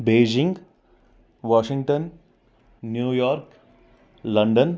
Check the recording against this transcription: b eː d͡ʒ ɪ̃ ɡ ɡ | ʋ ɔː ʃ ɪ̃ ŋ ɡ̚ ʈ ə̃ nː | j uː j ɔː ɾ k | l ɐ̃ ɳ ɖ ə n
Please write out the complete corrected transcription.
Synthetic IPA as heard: b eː d͡ʒ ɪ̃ ŋ ɡ | ʋ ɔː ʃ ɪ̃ ŋ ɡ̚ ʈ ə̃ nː | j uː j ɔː ɾ k | l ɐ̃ ɳ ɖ ə n